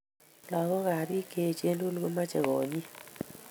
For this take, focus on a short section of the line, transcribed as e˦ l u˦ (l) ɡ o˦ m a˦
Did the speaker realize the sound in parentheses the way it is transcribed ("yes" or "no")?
yes